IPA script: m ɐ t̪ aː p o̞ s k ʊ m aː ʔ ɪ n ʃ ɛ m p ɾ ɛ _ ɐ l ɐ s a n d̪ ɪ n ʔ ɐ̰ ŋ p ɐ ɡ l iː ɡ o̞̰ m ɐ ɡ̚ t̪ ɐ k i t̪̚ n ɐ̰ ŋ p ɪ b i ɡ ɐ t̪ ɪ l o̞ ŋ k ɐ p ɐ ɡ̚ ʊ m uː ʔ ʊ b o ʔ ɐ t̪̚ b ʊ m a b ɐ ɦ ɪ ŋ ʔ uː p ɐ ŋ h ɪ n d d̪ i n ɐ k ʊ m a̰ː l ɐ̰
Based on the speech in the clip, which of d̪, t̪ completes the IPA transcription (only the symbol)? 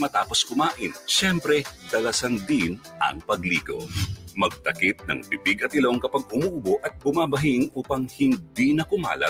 d̪